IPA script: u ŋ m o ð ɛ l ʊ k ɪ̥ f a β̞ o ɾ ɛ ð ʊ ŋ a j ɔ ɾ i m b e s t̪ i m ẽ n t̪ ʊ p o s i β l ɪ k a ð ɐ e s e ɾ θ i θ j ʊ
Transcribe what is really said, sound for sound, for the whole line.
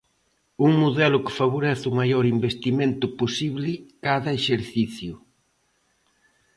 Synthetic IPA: u ŋ m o ð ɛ l ʊ k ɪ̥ f a β̞ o ɾ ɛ θ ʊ m a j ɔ ɾ i m b e s t̪ i m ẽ n t̪ ʊ p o s i β l ɪ k a ð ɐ e ʃ e ɾ θ i θ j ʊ